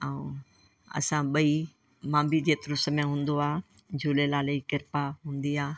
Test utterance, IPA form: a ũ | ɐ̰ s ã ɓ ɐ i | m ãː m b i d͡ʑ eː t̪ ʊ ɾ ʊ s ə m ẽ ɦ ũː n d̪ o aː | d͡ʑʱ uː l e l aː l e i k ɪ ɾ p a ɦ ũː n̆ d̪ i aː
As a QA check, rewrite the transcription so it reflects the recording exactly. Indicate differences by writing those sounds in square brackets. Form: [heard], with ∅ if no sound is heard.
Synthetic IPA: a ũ | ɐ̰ s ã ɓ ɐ i | m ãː m b i d͡ʑ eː t̪ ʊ ɾ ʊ s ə m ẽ ɦ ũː n d̪ o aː | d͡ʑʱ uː l e l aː l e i k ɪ ɾ p a ɦ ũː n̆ d̪ i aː